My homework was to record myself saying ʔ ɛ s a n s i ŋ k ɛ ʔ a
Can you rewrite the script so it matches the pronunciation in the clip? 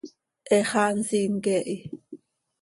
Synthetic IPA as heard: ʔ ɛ χ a n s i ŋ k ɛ ʔ i

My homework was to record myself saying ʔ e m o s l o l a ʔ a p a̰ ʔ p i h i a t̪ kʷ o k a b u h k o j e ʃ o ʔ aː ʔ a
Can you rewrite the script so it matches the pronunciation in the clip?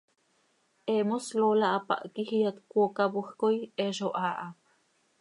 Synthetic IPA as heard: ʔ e m o s l o l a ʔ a p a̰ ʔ k i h i a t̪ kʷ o k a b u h k o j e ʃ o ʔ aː ʔ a

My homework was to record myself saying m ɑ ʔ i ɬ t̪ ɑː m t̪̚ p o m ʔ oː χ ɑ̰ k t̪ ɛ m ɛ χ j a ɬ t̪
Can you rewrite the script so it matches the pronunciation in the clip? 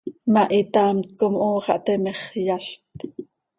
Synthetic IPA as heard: m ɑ ʔ i t̪ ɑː m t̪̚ k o m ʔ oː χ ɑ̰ ʔ t̪ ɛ m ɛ χ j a ɬ t̪

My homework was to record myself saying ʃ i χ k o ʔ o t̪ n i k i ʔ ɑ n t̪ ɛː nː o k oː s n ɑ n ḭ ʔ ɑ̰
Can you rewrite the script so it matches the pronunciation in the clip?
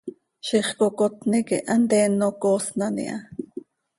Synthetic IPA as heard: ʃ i χ k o k o t̪ n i k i ʔ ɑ n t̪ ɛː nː o k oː s n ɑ n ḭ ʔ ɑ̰

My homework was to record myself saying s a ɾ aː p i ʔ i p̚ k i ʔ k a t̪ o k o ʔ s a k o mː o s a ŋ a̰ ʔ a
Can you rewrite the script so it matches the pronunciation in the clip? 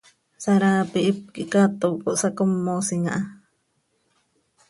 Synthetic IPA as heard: s a ɾ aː p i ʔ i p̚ k i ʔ k a t̪ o k o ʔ s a k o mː o s i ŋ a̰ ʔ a

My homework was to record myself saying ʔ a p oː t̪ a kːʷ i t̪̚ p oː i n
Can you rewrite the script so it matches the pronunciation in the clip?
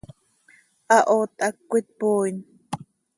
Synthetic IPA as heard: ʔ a ʔ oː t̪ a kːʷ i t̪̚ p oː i n

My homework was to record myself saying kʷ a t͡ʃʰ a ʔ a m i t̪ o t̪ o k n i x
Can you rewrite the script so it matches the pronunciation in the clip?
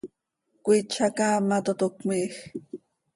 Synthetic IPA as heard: kʷ i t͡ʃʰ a k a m a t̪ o t̪ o k m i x

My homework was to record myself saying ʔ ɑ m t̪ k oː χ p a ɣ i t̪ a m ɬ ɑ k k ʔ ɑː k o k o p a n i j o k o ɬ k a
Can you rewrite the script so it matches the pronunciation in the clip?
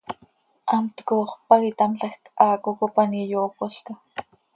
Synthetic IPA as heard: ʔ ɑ m t̪ k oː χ p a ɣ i t̪ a m ɬ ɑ x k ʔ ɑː k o k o p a n i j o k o ɬ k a

